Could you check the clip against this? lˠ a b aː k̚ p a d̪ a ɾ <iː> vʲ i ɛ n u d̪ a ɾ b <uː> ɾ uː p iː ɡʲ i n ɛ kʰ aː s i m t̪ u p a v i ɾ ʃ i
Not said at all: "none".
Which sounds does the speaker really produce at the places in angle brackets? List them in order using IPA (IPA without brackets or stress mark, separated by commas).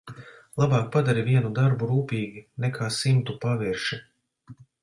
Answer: i, u